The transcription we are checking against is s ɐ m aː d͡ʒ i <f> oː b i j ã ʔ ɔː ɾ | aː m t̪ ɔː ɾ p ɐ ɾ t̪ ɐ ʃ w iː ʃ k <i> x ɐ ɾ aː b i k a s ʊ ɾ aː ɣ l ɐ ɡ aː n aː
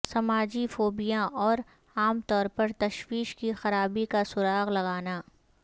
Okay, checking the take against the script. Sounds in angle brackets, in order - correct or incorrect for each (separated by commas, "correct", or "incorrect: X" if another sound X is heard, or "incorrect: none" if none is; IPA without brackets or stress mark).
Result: correct, correct